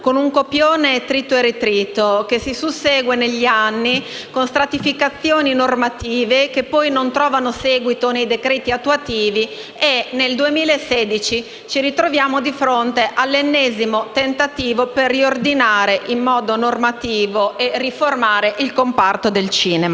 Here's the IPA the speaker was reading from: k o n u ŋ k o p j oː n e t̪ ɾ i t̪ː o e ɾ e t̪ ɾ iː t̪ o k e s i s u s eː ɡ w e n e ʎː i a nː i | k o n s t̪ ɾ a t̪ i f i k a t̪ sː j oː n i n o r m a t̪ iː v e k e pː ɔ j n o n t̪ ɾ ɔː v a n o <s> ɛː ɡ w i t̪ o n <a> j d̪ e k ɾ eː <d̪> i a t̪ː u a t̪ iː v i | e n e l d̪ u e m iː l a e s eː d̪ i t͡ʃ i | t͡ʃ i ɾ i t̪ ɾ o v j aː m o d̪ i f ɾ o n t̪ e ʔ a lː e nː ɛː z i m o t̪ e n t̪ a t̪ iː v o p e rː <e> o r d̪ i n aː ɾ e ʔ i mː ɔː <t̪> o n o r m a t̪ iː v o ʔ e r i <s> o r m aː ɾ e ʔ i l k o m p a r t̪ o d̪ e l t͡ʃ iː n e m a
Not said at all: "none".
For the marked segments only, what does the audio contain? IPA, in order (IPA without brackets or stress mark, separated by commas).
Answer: s, e, t̪, i, d̪, f